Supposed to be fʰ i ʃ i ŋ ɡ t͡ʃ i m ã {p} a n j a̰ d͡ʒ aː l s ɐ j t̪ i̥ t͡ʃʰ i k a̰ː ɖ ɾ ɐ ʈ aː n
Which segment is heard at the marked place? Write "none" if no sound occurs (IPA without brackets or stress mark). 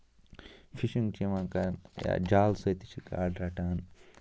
k